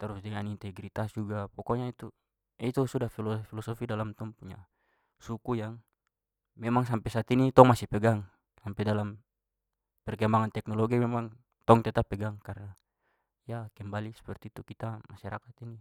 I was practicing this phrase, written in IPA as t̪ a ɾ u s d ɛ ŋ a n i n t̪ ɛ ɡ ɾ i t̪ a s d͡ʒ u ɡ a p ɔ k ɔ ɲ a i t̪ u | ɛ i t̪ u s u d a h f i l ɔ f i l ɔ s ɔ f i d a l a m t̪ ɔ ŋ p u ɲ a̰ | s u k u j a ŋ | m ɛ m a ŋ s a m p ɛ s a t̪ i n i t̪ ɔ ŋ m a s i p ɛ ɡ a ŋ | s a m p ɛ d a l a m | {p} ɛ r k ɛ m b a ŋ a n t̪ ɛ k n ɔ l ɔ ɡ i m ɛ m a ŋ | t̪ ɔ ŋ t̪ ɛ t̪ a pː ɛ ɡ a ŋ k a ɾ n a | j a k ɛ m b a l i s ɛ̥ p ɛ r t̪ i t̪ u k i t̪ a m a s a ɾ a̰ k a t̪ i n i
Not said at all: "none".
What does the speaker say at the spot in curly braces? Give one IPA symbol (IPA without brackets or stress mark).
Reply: p